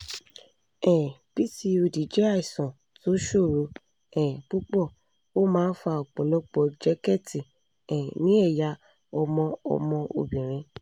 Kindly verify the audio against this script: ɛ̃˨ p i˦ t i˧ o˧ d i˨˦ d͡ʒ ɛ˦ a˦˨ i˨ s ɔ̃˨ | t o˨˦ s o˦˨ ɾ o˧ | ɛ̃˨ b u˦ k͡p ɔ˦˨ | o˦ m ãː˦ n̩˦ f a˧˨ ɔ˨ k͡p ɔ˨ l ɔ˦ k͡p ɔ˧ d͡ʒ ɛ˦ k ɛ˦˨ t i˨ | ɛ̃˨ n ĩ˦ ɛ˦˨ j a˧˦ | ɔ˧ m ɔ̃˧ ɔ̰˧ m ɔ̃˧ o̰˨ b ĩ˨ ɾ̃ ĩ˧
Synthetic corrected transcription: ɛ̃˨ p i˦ t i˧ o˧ d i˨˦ d͡ʒ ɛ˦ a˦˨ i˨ s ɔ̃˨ | t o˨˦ ʃ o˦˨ ɾ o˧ | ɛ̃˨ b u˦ k͡p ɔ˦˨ | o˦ m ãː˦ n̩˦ f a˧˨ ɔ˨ k͡p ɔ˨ l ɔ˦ k͡p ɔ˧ d͡ʒ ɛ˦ k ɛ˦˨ t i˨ | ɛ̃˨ n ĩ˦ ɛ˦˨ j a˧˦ | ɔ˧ m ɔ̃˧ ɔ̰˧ m ɔ̃˧ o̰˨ b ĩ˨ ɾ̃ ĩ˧